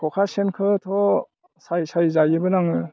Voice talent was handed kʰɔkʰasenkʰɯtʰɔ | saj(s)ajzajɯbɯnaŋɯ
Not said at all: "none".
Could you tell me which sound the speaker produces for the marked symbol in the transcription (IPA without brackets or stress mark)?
s